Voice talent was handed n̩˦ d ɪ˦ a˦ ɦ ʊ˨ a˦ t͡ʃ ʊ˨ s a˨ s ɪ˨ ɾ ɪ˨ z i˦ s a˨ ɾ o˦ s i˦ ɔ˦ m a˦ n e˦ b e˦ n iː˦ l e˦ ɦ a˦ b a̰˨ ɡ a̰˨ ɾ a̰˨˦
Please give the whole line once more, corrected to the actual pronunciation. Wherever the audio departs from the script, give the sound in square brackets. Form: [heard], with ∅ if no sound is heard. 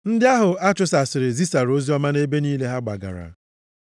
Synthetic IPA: n̩˦ d ɪ˦ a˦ ɦ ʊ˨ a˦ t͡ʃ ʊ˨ s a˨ s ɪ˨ ɾ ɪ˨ z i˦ s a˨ ɾ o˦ [z] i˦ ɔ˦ m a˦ n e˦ b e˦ n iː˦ l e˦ ɦ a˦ [ɡ͡b] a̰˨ ɡ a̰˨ ɾ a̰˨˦

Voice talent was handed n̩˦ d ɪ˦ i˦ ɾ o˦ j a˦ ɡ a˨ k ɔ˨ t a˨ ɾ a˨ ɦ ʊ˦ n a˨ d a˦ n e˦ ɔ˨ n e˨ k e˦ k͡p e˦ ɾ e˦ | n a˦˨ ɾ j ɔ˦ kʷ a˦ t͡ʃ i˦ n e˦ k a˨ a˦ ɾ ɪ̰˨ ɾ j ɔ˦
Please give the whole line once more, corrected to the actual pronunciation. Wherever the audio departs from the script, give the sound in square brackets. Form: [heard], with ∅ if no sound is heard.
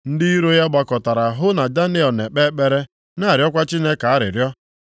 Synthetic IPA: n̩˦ d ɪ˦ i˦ ɾ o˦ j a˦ [ɡ͡b] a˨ k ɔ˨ t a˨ ɾ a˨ ɦ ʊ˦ n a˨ d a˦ n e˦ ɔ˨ n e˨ [k͡p] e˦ k͡p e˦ ɾ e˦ | n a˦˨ ɾ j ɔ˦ kʷ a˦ t͡ʃ i˦ n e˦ k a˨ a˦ ɾ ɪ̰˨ ɾ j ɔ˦

